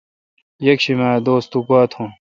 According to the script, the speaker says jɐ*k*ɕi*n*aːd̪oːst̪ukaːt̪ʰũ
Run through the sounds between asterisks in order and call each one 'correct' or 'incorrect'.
correct, incorrect

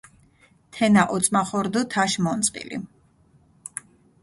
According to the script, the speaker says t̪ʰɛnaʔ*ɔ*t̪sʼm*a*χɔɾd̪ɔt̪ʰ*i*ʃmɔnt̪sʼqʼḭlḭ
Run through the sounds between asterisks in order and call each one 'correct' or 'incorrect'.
correct, correct, incorrect

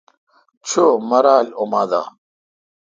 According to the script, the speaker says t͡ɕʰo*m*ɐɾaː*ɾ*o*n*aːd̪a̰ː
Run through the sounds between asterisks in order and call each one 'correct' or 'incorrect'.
correct, incorrect, incorrect

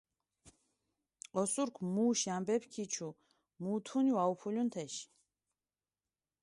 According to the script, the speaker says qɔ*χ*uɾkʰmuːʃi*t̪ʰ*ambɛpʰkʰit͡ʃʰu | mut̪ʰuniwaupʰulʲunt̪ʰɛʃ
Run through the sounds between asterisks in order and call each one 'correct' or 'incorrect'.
incorrect, incorrect

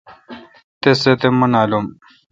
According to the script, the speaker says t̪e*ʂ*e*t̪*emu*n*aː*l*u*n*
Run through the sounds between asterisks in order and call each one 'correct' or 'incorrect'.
incorrect, correct, correct, correct, incorrect

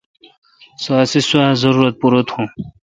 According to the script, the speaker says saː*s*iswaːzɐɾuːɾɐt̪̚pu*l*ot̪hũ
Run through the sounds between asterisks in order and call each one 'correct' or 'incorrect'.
correct, incorrect

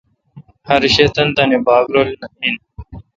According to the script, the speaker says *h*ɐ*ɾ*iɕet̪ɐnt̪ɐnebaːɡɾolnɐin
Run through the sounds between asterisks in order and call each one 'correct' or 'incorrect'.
correct, correct

